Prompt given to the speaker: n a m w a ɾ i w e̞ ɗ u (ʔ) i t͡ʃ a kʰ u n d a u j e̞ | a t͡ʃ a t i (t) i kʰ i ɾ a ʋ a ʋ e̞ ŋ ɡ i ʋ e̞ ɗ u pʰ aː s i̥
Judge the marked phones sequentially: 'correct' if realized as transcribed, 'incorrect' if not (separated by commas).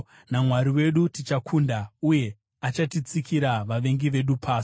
incorrect, incorrect